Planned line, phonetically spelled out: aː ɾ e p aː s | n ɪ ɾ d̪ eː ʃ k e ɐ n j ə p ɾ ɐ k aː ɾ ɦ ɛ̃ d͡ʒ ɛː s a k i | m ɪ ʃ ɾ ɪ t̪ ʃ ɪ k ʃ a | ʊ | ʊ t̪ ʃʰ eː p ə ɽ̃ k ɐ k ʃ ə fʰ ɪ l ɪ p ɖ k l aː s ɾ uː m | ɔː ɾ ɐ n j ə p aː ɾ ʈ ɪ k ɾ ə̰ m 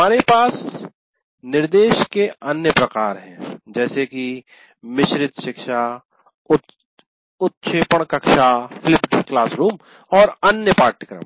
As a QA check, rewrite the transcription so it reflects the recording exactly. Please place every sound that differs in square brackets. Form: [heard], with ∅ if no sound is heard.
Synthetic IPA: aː ɾ e p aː s | n ɪ ɾ d̪ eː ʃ k e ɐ n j ə p ɾ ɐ k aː ɾ ɦ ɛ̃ d͡ʒ ɛː s [e] k i | m ɪ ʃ ɾ ɪ t̪ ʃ ɪ k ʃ a | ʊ | ʊ t̪ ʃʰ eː p ə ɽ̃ k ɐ k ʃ [a] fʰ ɪ l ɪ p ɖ k l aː s ɾ uː m | ɔː ɾ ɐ n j ə p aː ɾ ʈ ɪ k ɾ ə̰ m